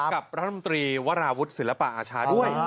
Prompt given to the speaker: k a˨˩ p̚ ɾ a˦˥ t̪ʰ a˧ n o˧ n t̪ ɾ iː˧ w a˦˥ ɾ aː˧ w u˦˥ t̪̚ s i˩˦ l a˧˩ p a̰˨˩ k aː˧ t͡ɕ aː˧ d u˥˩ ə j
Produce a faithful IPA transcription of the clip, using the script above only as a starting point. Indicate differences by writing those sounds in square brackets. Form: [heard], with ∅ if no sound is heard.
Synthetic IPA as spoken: k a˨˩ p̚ ɾ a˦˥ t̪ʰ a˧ [m] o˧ n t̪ ɾ iː˧ w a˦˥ ɾ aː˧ w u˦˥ t̪̚ s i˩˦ l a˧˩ p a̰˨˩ [ʔ] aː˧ [t͡ɕʰ] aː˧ d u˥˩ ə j

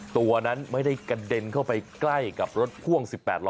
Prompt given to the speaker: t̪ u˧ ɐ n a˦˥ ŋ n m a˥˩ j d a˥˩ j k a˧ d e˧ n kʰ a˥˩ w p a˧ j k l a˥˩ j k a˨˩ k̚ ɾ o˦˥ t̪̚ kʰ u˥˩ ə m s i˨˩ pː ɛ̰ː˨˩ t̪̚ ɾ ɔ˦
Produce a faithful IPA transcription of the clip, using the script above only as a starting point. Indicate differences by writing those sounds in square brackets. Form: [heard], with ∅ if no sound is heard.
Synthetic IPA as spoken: t̪ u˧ ɐ n a˦˥ [∅] n m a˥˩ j d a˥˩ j k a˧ d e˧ n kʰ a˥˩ w p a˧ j k l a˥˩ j k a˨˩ [p̚] ɾ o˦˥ t̪̚ kʰ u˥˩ ə [ŋ] s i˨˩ pː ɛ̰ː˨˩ t̪̚ [l] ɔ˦

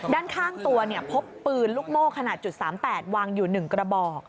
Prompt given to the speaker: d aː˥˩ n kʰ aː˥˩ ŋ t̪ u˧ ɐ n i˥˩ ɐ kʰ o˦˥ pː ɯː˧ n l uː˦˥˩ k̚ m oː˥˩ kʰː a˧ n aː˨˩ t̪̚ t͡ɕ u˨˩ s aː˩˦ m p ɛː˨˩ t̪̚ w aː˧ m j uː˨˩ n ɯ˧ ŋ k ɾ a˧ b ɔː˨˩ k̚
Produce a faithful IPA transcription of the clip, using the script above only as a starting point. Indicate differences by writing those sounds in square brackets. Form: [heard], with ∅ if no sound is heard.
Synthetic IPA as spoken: d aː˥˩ n kʰ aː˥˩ ŋ t̪ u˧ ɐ n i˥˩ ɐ [pʰ] o˦˥ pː ɯː˧ n l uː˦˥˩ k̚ m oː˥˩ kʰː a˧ n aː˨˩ t̪̚ t͡ɕ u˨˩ s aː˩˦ m p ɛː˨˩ t̪̚ w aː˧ [ŋ] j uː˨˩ n [ɯ˨˩] ŋ k ɾ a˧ b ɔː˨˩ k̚

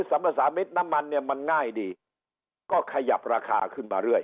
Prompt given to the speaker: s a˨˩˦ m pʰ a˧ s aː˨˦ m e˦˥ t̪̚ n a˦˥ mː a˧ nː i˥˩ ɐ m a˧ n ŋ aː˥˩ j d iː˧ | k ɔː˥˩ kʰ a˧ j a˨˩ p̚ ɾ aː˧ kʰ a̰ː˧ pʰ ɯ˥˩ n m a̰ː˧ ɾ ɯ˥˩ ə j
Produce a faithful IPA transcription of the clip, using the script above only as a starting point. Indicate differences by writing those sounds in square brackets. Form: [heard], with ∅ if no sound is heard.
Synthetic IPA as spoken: s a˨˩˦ m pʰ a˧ s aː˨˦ m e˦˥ t̪̚ n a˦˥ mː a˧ nː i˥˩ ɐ m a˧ n ŋ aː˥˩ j d iː˧ | k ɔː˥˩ kʰ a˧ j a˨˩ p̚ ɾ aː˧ kʰ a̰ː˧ [kʰ] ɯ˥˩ n m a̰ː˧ ɾ ɯ˥˩ ə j

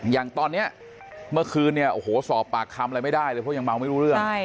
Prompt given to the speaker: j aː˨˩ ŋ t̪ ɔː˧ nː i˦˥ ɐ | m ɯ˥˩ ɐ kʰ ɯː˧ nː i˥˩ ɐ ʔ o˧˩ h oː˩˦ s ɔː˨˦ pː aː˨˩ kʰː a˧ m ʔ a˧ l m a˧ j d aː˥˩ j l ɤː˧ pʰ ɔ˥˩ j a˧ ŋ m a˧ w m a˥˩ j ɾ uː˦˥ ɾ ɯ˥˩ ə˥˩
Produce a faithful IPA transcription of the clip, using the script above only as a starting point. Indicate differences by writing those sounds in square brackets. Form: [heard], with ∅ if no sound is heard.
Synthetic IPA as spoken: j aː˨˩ ŋ t̪ ɔː˧ nː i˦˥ ɐ | m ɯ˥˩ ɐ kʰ ɯː˧ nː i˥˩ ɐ ʔ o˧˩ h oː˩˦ s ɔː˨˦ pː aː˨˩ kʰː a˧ m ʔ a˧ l m [a˥˩] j d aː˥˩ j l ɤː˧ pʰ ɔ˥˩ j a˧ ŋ m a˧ w m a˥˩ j ɾ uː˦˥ ɾ ɯ˥˩ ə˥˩

